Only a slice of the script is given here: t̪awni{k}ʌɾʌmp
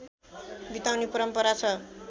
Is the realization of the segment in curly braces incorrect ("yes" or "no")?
yes